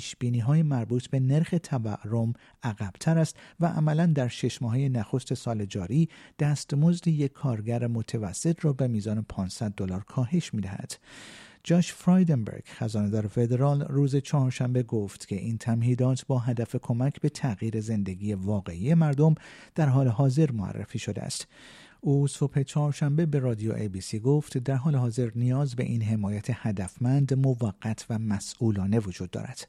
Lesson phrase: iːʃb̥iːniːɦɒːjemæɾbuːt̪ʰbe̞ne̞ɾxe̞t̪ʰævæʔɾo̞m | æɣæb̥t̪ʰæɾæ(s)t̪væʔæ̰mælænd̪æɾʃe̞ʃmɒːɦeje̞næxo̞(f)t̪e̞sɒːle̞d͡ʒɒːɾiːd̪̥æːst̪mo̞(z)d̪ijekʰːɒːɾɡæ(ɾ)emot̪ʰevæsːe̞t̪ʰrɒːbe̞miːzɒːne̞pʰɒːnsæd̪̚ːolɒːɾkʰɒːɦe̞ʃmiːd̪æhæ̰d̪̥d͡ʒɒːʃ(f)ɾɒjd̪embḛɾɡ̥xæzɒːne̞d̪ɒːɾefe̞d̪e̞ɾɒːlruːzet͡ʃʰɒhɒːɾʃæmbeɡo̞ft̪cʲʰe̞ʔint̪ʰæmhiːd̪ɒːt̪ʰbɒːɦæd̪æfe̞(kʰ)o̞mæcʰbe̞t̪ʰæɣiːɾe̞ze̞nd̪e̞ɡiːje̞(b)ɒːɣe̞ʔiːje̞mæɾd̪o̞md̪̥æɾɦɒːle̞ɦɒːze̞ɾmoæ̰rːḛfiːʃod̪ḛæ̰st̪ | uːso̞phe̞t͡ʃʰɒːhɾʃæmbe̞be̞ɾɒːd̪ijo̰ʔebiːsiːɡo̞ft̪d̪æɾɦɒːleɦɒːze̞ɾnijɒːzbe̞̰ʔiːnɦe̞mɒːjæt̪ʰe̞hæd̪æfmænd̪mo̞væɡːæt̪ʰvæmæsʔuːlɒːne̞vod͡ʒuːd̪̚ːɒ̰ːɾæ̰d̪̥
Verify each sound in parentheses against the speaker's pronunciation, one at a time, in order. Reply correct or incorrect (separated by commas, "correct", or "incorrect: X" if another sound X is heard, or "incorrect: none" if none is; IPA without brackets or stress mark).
correct, incorrect: s, correct, correct, correct, correct, incorrect: v